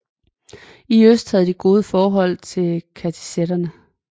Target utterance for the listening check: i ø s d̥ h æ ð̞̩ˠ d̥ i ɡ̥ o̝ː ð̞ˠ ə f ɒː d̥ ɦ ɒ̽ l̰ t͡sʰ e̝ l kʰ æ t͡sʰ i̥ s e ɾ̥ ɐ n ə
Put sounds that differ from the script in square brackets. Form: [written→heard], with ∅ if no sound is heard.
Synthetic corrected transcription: i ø s d̥ h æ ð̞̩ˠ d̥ i ɡ̥ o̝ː ð̞ˠ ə f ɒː [d̥→∅] ɦ ɒ̽ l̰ t͡sʰ e̝ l kʰ æ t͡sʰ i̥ s e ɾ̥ ɐ n ə